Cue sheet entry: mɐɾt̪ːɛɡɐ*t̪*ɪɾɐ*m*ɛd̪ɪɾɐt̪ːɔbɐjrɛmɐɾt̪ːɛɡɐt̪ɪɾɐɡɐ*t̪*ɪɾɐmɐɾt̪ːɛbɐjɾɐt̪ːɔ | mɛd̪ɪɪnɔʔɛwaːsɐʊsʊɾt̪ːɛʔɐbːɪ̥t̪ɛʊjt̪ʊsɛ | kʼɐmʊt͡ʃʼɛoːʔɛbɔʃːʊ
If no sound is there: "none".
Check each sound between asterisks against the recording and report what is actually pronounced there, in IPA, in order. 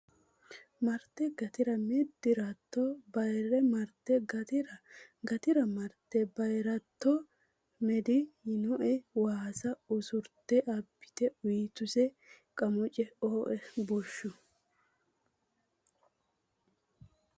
t̪, m, t̪

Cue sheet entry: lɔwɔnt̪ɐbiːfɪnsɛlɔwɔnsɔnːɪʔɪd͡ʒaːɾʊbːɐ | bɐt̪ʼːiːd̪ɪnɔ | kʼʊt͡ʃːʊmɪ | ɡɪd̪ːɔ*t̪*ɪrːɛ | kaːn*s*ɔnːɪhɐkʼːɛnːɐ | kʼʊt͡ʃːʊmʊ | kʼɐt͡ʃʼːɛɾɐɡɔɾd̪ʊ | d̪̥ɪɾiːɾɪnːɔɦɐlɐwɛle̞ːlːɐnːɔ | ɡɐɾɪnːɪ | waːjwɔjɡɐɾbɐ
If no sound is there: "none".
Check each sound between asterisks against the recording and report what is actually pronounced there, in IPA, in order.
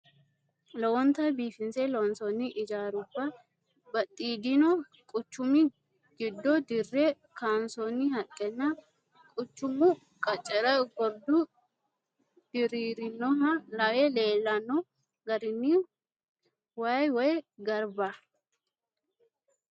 d̪, s

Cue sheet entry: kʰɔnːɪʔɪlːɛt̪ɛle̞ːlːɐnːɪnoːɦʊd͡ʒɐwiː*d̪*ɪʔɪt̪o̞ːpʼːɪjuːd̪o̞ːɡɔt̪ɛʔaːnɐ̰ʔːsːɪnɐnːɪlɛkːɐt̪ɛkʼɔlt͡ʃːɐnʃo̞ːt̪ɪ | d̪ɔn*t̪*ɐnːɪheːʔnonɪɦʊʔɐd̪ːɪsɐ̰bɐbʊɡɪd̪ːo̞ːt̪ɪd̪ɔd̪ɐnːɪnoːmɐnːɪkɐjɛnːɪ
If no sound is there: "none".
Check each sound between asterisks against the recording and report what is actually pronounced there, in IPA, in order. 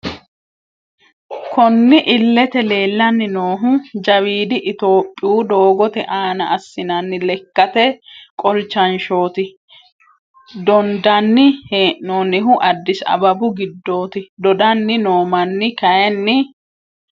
d̪, d̪

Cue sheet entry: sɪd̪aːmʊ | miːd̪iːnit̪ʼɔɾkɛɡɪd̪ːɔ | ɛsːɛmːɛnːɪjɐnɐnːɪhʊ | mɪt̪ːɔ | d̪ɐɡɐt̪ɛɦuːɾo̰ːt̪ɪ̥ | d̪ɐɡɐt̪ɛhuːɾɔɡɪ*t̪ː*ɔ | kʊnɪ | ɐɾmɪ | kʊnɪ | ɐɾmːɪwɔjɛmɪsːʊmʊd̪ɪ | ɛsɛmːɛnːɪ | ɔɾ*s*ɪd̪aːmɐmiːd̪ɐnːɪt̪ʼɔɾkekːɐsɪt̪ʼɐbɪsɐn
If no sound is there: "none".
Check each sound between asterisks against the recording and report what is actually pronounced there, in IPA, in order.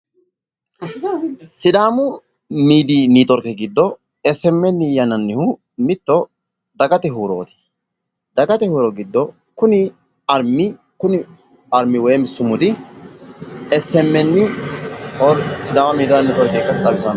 d̪ː, s

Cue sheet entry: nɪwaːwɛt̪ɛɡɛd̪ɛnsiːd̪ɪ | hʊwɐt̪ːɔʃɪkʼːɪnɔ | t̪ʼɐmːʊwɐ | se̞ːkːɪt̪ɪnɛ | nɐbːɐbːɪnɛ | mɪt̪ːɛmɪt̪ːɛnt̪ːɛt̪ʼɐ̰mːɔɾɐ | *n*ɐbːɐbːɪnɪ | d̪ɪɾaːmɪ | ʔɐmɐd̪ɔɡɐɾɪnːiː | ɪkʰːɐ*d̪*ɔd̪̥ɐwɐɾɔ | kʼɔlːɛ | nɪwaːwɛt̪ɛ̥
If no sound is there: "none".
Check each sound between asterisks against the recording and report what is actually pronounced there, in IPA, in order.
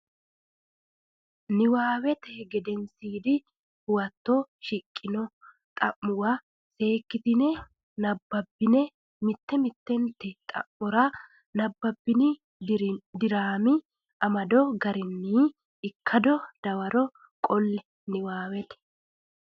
n, d̪

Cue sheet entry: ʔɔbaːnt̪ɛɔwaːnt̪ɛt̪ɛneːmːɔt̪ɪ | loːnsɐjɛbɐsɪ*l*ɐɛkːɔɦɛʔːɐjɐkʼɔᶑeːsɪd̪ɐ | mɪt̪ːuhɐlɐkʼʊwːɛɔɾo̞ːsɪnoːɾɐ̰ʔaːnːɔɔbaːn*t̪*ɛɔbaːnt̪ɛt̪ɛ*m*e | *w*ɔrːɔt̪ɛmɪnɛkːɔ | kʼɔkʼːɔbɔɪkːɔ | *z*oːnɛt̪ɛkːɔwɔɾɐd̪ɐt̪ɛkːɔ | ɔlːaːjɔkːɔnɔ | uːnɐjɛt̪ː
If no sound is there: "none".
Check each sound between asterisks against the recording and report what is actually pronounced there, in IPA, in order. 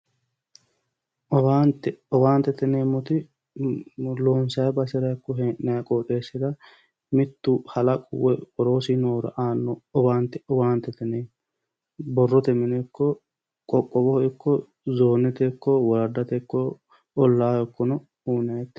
ɾ, t̪, n, b, z

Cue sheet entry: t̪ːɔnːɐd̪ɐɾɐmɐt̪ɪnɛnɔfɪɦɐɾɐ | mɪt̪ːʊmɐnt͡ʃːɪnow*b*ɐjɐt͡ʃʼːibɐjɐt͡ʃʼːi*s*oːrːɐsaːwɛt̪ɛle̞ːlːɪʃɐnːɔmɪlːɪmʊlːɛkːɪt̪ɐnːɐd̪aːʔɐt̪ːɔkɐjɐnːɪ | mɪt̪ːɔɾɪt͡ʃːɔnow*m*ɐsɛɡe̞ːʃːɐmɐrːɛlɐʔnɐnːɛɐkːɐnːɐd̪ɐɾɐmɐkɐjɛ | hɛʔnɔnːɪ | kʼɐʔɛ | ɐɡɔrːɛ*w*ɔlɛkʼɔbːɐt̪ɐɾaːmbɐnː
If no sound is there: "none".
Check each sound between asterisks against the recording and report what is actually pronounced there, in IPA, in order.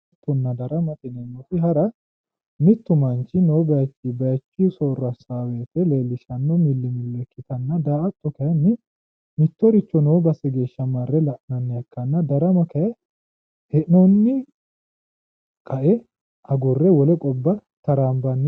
b, s, b, w

